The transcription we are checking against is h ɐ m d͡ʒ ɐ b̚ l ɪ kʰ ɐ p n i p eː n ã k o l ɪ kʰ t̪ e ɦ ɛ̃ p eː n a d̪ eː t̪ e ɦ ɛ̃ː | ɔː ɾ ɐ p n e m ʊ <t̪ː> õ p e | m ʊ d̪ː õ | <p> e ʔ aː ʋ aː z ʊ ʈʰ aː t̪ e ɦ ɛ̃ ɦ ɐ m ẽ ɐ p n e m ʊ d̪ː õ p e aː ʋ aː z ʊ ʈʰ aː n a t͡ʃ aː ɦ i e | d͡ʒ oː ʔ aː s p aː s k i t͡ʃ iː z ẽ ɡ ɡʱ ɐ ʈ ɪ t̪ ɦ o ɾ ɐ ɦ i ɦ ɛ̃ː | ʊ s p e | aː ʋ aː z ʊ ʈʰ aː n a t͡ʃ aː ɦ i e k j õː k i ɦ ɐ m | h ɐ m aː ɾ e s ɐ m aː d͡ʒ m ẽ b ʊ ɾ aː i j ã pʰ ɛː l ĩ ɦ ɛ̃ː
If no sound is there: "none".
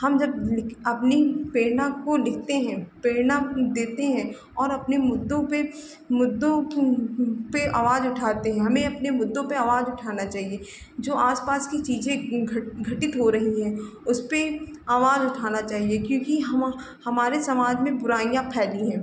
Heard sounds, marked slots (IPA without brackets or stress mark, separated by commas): d̪ː, p